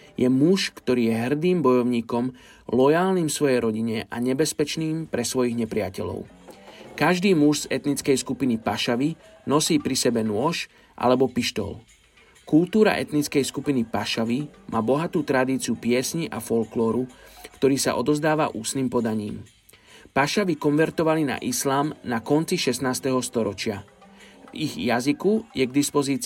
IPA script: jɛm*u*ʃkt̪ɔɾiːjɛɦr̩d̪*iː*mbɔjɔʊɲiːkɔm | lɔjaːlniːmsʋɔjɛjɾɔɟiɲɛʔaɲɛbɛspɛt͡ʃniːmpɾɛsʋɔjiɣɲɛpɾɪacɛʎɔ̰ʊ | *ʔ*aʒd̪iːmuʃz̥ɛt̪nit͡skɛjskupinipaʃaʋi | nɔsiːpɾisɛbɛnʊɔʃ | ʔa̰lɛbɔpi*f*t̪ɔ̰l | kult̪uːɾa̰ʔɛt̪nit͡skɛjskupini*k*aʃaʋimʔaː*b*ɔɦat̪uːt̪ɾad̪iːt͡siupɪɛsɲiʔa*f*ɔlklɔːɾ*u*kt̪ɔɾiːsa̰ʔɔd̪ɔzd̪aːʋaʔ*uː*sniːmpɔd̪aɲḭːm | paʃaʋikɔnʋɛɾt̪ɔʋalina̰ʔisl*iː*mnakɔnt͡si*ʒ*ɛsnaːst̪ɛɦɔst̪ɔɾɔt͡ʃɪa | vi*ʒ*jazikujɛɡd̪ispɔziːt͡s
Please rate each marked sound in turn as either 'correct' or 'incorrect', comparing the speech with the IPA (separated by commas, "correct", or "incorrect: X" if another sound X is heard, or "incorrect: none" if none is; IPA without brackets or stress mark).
correct, correct, incorrect: k, incorrect: ʃ, incorrect: p, correct, correct, correct, correct, incorrect: aː, incorrect: ʃ, incorrect: ɣ